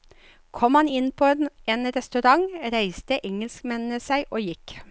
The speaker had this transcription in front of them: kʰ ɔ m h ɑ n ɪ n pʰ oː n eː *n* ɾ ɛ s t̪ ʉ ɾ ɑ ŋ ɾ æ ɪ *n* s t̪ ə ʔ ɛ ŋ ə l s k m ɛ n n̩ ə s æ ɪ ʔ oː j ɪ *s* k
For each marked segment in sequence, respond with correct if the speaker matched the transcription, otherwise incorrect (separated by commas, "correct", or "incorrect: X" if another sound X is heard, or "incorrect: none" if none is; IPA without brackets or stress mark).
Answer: correct, incorrect: none, incorrect: none